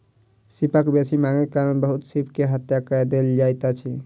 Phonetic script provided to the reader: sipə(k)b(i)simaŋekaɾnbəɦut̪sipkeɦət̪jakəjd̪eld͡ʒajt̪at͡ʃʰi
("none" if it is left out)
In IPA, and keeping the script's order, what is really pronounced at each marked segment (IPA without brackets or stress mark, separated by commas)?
k, e